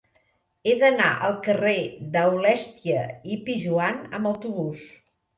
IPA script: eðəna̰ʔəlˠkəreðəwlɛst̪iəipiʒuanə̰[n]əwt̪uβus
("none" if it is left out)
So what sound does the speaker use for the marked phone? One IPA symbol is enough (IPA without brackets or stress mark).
m